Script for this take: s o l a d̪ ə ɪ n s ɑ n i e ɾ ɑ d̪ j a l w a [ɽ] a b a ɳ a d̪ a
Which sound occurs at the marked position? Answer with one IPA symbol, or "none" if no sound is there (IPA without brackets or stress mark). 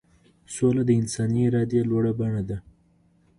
ɽ